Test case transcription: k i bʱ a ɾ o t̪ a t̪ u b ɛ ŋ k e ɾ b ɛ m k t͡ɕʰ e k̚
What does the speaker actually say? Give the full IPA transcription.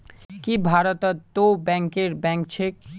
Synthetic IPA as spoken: k i bʱ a ɾ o t̪ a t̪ o b ɛ ŋ k e ɾ b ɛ ŋ k t͡ɕʰ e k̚